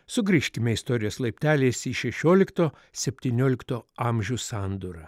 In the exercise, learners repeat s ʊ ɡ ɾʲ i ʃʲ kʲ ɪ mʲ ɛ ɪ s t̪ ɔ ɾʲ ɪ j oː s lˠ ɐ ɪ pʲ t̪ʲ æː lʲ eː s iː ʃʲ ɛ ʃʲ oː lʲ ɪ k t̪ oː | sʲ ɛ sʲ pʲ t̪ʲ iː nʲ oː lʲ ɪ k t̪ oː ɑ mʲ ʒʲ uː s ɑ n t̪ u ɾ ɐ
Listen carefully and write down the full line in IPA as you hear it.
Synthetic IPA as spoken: s ʊ ɡ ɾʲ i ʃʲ kʲ ɪ mʲ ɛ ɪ s t̪ ɔ ɾʲ ɪ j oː s lˠ ɐ ɪ pʲ t̪ʲ æː lʲ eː s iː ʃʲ ɛ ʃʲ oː lʲ ɪ k t̪ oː | sʲ ɛ pʲ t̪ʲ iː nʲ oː lʲ ɪ k t̪ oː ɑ mʲ ʒʲ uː s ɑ n d̪ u ɾ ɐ